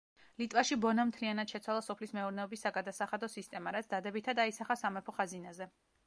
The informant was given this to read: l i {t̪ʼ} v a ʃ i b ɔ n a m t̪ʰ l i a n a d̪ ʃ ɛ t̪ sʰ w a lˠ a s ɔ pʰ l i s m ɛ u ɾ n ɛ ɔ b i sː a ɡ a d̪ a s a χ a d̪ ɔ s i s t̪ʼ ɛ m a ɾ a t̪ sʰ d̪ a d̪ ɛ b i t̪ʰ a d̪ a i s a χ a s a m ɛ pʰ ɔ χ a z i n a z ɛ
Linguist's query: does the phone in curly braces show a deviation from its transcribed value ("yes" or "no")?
no